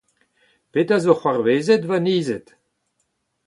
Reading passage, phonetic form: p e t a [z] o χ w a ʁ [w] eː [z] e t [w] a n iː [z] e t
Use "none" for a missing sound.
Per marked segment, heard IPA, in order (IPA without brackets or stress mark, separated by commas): z, v, z, v, z